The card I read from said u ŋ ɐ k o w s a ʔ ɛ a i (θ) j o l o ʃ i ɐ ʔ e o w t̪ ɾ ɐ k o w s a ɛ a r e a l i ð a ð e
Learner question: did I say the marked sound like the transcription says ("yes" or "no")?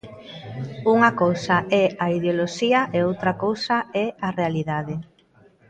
no